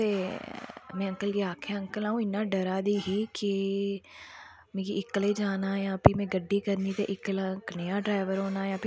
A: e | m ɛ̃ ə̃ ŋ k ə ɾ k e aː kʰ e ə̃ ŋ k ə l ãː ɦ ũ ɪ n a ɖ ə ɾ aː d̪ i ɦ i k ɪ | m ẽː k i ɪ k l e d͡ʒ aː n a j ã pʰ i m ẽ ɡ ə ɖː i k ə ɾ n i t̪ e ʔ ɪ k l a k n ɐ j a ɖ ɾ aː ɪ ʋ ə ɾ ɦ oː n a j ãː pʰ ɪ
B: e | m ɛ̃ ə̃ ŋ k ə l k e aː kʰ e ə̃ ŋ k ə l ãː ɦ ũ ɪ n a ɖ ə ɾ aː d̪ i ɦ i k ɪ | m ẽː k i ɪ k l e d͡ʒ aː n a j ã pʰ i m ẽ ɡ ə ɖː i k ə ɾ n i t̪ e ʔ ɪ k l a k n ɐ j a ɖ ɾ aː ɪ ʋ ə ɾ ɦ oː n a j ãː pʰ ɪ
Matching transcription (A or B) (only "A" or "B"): B